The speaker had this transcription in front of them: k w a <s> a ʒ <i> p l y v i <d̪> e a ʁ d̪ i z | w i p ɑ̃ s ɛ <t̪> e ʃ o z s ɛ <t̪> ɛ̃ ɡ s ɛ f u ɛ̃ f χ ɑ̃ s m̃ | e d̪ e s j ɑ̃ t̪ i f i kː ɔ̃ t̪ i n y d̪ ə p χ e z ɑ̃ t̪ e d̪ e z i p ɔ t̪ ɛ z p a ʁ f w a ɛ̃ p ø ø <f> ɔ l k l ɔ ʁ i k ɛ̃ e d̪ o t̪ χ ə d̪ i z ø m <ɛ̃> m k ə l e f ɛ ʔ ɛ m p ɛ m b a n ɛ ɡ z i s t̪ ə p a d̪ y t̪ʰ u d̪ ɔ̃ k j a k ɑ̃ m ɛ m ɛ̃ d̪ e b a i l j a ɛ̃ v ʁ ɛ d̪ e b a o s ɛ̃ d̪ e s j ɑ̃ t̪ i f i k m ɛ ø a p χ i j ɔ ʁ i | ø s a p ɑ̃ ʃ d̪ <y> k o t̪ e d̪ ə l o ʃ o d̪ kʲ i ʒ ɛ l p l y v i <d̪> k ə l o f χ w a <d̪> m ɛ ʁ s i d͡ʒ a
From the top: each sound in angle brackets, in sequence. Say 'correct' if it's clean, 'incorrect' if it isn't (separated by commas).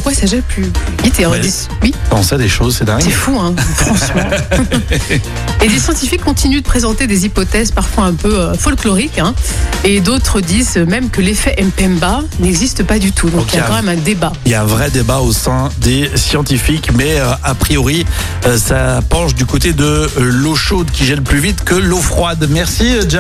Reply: correct, incorrect, incorrect, incorrect, incorrect, correct, incorrect, correct, incorrect, correct